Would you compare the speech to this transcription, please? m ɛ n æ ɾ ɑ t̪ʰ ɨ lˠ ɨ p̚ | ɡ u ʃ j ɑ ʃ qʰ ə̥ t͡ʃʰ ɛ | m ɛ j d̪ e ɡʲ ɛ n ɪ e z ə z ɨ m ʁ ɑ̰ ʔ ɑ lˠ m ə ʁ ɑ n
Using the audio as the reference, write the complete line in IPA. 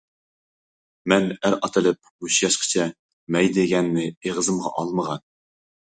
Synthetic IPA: m ɛ n æ ɾ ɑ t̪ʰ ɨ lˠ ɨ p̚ | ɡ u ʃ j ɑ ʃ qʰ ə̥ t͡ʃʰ ɛ | m ɛ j d̪ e ɡʲ ɛ nː ɪ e ʁ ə z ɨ m ʁ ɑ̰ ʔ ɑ lˠ m ə ʁ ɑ n

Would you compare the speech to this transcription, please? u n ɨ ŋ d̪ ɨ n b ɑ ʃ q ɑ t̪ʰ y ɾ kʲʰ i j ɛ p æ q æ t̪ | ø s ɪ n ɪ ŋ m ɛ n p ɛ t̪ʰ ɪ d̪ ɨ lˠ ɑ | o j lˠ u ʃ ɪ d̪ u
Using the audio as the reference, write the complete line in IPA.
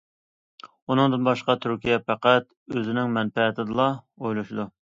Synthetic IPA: u n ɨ ŋ d̪ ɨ n b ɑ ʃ q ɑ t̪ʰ y ɾ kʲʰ i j ɛ p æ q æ t̪ | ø z ɪ n ɪ ŋ m ɛ n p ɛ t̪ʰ ɪ d̪ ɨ lˠ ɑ | o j lˠ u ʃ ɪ d̪ u

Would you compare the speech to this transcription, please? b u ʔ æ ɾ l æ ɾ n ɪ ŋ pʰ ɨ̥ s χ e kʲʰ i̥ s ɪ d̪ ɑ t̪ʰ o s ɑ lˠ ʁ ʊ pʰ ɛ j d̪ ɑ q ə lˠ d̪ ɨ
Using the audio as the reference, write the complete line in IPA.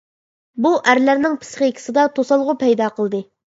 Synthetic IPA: b u ʔ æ ɾ l æ ɾ n ɪ ŋ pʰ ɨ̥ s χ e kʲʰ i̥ s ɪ d̪ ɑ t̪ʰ o s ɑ lˠ ʁ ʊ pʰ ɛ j d̪ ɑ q ə lˠ d̪ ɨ

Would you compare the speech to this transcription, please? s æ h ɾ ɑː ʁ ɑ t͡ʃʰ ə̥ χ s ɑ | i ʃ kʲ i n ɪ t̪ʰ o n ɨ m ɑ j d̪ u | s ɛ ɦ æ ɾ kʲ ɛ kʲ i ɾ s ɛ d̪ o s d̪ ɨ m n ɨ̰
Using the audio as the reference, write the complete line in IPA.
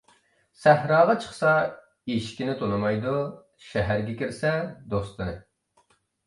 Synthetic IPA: s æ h ɾ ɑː ʁ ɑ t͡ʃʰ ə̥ χ s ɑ | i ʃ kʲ i n ɪ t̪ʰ o n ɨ m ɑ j d̪ u | ʃ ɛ ɦ æ ɾ ɡʲ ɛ kʲ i ɾ s ɛ d̪ o s t̪ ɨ n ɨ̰

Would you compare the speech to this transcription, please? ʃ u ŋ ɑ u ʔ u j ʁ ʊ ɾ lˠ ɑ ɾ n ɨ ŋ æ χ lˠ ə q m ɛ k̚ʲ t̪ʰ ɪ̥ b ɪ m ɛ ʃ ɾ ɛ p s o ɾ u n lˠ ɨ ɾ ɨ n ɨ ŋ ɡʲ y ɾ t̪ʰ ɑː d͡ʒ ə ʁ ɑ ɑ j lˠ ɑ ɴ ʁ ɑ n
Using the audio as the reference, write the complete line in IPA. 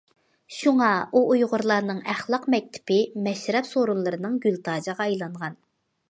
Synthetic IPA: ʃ u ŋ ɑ u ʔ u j ʁ ʊ ɾ lˠ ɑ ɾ n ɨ ŋ æ χ lˠ ɑ q m ɛ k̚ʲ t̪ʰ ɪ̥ p ɪ m ɛ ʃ ɾ ɛ p s o ɾ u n lˠ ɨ ɾ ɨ n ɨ ŋ ɡʲ y l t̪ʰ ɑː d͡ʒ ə ʁ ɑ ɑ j lˠ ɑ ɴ ʁ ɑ n

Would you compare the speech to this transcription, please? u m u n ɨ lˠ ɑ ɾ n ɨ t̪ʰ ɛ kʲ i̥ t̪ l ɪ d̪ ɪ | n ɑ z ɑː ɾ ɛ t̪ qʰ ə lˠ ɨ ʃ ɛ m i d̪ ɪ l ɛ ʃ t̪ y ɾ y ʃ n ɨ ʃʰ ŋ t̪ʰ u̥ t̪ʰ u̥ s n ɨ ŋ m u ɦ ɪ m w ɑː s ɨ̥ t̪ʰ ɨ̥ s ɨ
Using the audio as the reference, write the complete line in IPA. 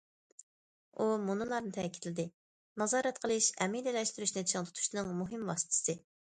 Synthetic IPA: u m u n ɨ lˠ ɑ ɾ n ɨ t̪ʰ ɛ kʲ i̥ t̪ l ɪ d̪ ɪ | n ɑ z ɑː ɾ ɛ t̪ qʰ ə lˠ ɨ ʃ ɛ m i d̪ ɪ l ɛ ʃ t̪ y ɾ y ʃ n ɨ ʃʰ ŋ t̪ʰ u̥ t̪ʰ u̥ ʃ n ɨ ŋ m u ɦ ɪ m w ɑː s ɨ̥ t̪ʰ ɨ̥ s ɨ

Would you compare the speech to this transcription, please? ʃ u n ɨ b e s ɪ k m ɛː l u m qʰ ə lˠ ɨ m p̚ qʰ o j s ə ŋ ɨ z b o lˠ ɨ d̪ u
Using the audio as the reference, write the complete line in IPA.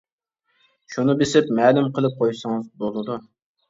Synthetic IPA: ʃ u n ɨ b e s ɪ p m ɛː l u m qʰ ə lˠ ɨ p̚ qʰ o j s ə ŋ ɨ z b o lˠ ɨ d̪ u

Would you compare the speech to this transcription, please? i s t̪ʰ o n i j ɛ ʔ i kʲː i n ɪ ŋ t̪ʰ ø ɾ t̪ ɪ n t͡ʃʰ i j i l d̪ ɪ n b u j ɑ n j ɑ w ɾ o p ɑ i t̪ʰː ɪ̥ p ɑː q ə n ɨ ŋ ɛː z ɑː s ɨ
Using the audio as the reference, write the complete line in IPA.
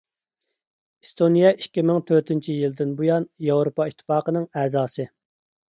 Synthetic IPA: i s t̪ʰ o n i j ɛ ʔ i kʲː i m ɪ ŋ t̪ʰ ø ɾ t̪ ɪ n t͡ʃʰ i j i l d̪ ɪ n b u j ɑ n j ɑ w ɾ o p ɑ i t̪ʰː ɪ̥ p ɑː q ə n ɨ ŋ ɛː z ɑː s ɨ

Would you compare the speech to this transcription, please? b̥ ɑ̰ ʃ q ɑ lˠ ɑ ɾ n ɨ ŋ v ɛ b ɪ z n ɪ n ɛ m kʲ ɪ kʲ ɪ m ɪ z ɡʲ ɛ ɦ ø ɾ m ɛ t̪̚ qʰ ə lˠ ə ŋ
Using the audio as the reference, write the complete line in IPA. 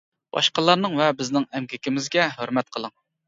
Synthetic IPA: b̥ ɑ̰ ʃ q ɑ lˠ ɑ ɾ n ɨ ŋ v ɛ b ɪ z n ɪ ŋ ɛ m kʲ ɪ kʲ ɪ m ɪ z ɡʲ ɛ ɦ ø ɾ m ɛ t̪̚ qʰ ə lˠ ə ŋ

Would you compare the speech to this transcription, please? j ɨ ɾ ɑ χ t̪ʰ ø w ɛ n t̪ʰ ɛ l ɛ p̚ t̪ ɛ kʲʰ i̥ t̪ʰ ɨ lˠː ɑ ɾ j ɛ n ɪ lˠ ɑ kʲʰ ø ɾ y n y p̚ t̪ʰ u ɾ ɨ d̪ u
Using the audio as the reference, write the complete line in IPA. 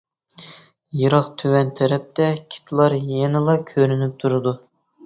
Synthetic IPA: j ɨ ɾ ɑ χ t̪ʰ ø w ɛ n t̪ʰ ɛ ɾ ɛ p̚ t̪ ɛ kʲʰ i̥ t̪ʰ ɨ lˠ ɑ ɾ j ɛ n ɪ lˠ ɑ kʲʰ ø ɾ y n y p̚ t̪ʰ u ɾ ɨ d̪ u

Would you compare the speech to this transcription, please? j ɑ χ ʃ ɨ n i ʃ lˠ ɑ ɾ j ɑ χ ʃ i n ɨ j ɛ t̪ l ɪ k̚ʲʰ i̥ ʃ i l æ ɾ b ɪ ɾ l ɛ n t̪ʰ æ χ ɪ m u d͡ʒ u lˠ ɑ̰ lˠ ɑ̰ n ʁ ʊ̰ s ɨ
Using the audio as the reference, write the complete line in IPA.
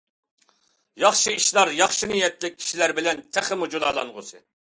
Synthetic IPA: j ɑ χ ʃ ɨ i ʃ lˠ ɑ ɾ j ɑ χ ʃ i n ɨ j ɛ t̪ l ɪ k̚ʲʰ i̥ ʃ i l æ ɾ b ɪ l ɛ n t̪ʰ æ χ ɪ m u d͡ʒ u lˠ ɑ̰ lˠ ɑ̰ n ʁ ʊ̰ s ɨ

